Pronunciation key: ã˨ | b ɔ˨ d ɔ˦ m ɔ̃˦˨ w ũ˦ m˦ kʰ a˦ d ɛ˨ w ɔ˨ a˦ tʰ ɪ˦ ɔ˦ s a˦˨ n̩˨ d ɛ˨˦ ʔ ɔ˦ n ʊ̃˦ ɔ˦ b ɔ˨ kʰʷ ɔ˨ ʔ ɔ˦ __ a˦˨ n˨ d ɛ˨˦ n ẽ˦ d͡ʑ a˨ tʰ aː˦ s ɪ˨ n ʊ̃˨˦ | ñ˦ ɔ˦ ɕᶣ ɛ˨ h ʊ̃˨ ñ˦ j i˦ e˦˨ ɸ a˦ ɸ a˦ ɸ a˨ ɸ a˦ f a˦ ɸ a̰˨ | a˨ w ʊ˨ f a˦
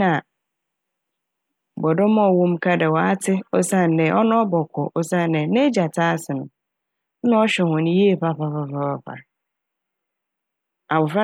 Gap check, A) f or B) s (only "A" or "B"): B